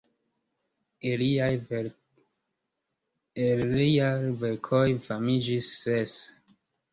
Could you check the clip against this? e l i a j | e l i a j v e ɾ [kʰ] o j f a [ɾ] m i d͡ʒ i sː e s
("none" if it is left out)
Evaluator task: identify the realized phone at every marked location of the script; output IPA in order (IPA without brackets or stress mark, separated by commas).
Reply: kʰ, none